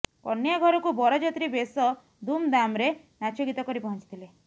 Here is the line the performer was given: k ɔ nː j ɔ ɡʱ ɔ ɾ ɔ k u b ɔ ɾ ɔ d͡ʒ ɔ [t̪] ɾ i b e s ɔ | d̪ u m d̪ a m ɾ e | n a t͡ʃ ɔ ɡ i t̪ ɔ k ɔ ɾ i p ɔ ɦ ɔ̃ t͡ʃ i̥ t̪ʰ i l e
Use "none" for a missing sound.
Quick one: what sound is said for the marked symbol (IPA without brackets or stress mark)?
t̪